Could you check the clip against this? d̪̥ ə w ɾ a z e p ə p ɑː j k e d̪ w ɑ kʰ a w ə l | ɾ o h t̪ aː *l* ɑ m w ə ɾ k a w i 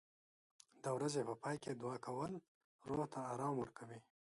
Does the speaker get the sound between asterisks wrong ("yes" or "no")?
yes